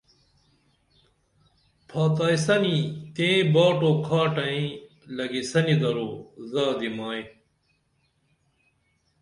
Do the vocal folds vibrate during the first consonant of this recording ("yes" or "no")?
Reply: no